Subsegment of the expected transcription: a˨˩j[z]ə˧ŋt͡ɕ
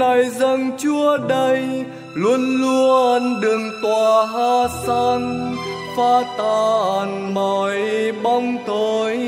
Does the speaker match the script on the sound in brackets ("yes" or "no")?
yes